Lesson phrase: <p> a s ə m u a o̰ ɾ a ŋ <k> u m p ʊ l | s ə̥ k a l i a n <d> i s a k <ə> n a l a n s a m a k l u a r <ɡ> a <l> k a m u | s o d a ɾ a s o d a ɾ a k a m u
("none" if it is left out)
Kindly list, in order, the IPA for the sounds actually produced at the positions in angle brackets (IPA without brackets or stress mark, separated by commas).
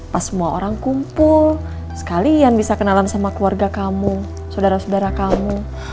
p, k, b, ə, ɡ, none